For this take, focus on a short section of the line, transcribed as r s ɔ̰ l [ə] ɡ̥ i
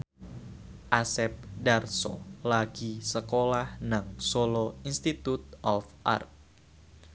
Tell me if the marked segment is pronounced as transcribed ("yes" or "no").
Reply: no